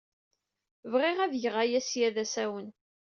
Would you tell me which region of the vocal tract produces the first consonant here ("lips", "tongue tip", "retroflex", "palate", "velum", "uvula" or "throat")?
lips